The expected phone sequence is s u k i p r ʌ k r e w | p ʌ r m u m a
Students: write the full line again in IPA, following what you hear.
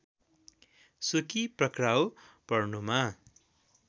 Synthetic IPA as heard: s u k i p r ʌ k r a w | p ʌ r n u m a